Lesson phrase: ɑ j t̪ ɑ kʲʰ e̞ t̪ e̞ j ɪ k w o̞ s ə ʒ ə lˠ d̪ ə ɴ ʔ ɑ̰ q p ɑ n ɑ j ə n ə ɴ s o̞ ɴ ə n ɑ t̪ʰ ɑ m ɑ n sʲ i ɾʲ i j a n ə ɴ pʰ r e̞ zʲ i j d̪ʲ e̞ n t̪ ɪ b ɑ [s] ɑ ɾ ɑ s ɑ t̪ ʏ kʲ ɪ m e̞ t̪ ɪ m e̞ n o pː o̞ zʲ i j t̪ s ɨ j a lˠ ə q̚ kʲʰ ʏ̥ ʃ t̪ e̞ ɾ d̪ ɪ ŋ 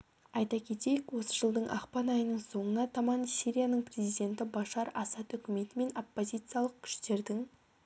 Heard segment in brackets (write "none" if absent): ʃ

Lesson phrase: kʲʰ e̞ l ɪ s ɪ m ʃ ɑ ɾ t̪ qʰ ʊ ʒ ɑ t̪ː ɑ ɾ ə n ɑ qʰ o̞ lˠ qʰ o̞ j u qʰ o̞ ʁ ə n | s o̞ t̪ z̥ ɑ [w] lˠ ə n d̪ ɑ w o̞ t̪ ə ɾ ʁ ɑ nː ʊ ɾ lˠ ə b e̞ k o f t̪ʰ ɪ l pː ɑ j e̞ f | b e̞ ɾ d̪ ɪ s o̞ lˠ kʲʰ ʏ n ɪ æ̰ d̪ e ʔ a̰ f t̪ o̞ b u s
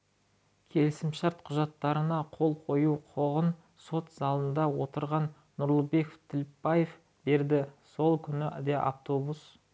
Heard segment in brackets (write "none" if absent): none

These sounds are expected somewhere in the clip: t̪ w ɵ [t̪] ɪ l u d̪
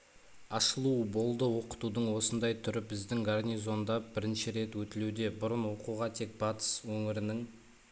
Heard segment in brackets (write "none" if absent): t̪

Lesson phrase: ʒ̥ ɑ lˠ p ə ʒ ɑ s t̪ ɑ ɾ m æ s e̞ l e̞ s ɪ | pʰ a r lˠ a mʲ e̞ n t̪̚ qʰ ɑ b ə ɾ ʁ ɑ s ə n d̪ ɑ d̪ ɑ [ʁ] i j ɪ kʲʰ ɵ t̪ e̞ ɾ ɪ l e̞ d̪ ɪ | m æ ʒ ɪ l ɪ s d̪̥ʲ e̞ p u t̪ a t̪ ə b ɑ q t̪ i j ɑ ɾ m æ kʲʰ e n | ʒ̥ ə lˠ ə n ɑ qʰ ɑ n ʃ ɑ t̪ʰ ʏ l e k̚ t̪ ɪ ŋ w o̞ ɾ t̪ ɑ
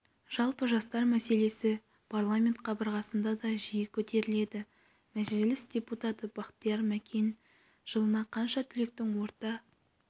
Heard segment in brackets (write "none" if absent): ʒ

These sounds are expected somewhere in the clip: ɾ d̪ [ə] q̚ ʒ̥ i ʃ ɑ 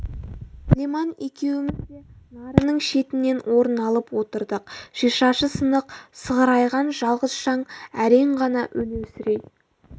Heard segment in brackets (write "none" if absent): ə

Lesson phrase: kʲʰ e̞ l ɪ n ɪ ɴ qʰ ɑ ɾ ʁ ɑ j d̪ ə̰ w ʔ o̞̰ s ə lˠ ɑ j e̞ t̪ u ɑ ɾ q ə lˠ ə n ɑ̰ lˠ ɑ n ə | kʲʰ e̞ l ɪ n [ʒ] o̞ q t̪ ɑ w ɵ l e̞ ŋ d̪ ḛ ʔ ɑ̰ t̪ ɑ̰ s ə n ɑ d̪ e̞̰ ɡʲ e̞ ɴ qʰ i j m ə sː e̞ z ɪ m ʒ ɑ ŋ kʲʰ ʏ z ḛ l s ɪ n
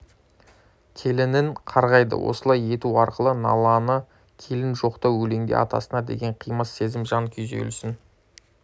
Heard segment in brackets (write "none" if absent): ʒ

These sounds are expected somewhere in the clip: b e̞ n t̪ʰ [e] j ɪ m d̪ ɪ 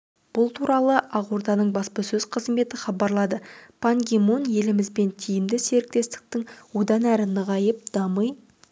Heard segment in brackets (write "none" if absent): i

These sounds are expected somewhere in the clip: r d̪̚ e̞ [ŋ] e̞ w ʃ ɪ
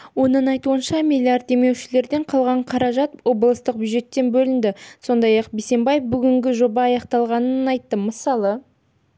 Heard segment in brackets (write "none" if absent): m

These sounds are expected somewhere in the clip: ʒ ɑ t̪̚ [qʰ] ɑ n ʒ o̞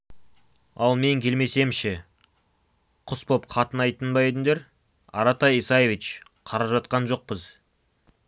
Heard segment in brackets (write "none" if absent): q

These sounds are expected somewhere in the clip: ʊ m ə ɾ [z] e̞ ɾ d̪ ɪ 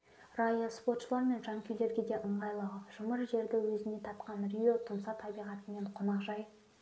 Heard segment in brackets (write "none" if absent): ʒ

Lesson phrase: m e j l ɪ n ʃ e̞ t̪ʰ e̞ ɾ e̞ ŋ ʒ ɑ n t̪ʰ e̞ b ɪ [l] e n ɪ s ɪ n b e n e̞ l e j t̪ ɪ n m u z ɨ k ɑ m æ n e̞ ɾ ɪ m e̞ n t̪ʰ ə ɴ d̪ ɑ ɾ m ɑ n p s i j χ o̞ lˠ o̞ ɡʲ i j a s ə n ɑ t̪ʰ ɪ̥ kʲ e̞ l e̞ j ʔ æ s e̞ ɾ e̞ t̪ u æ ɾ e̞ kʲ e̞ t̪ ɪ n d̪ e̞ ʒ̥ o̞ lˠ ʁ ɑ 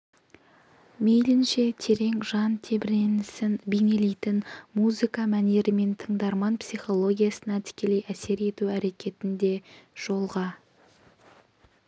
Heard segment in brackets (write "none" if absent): ɾ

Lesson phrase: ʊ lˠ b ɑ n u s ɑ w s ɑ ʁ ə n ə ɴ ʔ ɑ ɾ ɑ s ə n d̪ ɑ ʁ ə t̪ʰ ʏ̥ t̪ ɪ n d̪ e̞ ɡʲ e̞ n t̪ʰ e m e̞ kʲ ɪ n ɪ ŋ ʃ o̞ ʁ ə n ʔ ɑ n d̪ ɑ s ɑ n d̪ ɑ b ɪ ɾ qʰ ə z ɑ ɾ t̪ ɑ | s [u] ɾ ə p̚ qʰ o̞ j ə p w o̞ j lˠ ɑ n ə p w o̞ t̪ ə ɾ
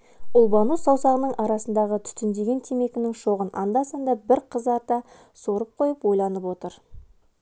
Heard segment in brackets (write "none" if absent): o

